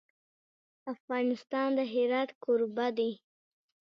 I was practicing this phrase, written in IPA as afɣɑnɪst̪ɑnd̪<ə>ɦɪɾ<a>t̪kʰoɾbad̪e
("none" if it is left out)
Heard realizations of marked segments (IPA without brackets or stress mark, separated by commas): ə, ɑ